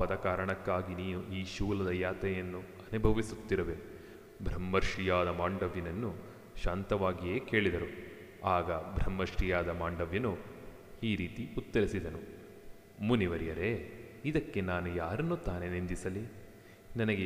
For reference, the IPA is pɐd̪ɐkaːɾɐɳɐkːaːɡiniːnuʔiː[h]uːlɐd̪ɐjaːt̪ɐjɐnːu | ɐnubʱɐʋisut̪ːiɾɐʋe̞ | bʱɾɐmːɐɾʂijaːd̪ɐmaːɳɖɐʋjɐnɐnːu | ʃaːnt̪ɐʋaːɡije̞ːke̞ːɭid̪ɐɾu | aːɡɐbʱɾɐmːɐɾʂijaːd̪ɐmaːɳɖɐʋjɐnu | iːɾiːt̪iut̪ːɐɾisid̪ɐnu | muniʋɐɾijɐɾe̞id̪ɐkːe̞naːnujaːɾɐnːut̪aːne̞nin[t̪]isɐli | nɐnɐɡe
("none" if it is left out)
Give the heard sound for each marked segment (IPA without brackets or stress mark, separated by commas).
ʃ, d̪